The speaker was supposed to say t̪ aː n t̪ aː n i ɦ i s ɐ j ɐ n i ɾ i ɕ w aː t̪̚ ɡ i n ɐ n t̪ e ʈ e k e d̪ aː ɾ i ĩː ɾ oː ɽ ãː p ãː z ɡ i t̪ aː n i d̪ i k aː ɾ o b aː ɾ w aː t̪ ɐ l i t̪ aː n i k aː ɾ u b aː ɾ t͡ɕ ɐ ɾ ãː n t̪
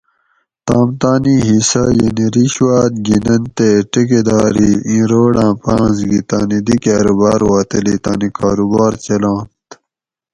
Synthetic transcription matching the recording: t̪ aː m t̪ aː n i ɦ i s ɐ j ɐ n i ɾ i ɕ w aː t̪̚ ɡ i n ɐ n t̪ e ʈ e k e d̪ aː ɾ i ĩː ɾ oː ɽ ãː p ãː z ɡ i t̪ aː n i d̪ i k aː ɾ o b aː ɾ w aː t̪ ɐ l i t̪ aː n i k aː ɾ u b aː ɾ t͡ɕ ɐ l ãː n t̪